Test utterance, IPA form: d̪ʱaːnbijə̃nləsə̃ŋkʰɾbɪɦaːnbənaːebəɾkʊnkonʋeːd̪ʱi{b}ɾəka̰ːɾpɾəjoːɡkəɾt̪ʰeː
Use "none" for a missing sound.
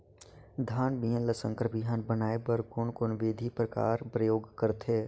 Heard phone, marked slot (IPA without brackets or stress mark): p